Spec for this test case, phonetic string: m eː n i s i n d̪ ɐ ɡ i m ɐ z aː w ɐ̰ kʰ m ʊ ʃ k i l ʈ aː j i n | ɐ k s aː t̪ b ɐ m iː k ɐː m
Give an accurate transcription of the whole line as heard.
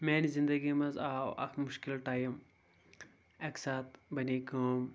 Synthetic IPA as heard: m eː n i z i n d̪ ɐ ɡ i m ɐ z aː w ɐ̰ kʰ m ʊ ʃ k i l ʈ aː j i m | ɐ k s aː t̪ b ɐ n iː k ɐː m